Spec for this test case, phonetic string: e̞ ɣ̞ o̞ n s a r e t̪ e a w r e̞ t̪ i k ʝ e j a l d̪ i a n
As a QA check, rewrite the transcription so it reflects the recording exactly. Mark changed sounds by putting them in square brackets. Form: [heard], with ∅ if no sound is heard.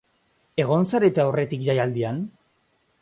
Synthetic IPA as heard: e̞ ɣ̞ o̞ n s a [ɾ] e t̪ e a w r e̞ t̪ i k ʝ [a] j a l d̪ i a n